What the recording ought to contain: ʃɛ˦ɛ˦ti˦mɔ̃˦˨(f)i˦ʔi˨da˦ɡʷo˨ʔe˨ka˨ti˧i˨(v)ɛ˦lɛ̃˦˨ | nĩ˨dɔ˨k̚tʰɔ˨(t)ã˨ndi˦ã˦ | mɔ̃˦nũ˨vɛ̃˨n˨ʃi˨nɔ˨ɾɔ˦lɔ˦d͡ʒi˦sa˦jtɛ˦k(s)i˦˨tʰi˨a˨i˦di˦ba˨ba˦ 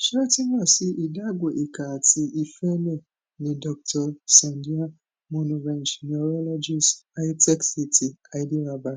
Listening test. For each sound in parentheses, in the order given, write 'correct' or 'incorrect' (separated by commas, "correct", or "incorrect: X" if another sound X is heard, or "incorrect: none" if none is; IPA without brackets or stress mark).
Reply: incorrect: s, incorrect: f, incorrect: s, correct